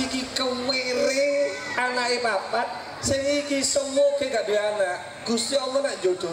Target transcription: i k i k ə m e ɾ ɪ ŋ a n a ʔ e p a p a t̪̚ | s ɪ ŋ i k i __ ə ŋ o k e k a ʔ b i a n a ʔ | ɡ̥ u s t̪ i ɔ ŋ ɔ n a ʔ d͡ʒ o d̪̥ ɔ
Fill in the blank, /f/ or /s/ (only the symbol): s